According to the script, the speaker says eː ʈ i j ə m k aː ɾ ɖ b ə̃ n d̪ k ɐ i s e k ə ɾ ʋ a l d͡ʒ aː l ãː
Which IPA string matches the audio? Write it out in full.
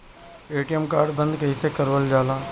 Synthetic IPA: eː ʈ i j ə m k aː ɾ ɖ b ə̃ n d̪ k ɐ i s e k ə ɾ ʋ ə l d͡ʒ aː l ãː